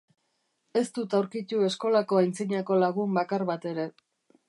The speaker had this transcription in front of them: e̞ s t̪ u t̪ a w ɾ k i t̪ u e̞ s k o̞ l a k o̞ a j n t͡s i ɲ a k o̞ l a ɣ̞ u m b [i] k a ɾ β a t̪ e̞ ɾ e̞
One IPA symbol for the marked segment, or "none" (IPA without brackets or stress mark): a